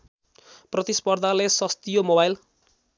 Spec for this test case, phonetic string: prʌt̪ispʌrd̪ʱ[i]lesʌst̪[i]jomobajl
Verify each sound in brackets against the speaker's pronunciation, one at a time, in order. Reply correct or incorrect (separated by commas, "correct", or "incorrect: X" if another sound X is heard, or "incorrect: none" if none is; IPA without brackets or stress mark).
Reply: incorrect: a, correct